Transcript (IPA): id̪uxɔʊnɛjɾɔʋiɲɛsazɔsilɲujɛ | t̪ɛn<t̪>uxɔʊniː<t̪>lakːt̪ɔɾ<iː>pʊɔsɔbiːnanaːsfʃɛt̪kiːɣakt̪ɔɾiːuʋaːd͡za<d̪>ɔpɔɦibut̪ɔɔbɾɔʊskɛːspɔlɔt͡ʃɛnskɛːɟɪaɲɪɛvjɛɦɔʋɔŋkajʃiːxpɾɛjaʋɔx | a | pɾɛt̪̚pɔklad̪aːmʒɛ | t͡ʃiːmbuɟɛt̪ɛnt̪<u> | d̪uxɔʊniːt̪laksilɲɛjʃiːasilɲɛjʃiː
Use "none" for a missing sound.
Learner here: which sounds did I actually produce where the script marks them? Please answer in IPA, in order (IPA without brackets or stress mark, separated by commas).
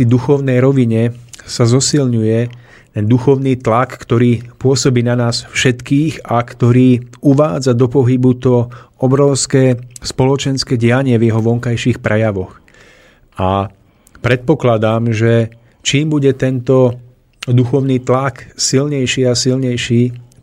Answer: d̪, t̪, iː, d̪, ɔ